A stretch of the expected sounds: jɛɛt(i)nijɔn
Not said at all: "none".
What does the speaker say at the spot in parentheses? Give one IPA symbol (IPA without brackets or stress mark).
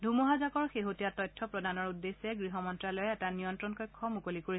a